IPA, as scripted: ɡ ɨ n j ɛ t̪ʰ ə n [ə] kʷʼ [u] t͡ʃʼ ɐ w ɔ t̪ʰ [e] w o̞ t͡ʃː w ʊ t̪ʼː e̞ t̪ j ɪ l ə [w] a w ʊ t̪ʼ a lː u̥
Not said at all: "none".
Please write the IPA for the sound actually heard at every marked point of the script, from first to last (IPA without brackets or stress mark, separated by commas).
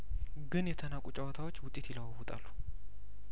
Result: a, u, a, w